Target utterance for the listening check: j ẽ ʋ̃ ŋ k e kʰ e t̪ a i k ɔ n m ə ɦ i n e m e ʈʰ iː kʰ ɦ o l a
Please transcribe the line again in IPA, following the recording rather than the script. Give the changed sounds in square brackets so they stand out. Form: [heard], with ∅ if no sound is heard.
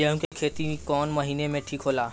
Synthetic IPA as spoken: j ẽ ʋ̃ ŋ k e kʰ e t̪ [i] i k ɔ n m ə ɦ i n e m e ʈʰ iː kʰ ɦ o l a

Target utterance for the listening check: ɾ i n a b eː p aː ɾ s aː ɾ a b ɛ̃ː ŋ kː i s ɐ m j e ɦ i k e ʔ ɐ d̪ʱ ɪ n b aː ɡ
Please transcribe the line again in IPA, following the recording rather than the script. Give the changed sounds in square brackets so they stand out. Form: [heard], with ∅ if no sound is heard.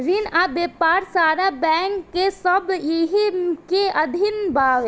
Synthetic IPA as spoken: ɾ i n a b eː p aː ɾ s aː ɾ a b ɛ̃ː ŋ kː [e] s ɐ [b] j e ɦ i k e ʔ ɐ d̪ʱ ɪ n b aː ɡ

